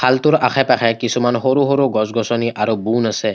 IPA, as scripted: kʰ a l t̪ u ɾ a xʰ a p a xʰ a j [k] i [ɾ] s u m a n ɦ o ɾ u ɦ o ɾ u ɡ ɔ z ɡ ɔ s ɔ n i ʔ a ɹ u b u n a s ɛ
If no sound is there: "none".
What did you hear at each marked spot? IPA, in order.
k, none

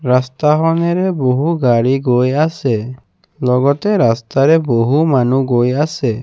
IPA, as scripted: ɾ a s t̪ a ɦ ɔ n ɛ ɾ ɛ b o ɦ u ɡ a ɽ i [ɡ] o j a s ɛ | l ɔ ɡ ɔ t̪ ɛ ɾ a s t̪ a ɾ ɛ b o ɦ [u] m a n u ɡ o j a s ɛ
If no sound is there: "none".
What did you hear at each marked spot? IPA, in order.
ɡ, u

